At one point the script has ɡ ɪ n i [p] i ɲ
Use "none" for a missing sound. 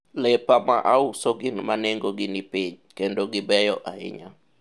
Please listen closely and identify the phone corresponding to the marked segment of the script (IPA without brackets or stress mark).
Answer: p